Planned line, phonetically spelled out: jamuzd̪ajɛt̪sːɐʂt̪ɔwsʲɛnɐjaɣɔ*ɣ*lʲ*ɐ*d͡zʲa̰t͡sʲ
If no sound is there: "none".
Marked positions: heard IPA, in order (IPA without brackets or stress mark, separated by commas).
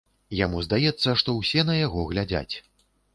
ɣ, a